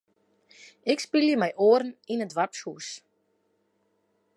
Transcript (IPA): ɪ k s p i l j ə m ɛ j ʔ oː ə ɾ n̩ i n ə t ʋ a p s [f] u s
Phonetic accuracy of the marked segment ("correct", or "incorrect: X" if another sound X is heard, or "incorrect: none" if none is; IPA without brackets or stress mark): incorrect: h